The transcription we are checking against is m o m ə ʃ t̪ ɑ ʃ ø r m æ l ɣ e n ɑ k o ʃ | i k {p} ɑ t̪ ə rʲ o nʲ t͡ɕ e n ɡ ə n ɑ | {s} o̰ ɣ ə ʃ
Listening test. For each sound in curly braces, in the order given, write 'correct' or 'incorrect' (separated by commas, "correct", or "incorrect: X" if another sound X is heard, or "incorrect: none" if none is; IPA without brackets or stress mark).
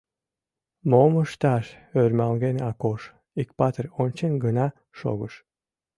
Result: correct, incorrect: ʃ